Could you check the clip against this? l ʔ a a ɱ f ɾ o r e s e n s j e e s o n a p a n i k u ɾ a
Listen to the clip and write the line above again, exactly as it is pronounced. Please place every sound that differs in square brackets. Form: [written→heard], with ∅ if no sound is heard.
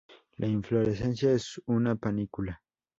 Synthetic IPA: l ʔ a [a→i] ɱ f [ɾ→l] o [r→ɾ] e s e n s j [e→a] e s [o→u] n a p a n i k u [ɾ→l] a